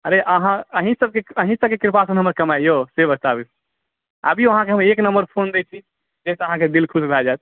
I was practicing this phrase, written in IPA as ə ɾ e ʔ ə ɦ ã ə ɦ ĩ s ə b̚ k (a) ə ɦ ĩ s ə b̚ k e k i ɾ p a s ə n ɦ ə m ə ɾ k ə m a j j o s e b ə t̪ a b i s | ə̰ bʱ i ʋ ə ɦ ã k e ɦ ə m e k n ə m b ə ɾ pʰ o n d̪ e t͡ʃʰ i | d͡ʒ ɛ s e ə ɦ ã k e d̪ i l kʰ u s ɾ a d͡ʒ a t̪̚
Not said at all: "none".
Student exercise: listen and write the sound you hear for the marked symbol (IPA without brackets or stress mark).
e